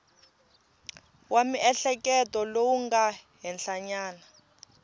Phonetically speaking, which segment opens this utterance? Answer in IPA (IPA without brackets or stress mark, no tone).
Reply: w